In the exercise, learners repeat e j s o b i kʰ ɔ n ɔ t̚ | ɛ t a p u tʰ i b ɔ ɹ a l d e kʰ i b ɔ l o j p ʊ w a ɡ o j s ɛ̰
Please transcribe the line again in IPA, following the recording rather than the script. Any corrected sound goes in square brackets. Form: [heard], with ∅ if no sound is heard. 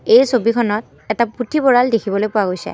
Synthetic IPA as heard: e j s o b i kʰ ɔ n ɔ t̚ | ɛ t a p u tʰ i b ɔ ɹ a l d e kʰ i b ɔ l o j p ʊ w a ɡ o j s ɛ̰